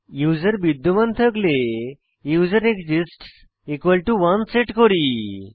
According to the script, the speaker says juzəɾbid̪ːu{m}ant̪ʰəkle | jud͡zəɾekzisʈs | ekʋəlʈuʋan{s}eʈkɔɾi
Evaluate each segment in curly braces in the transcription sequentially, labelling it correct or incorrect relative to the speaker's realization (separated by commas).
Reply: correct, correct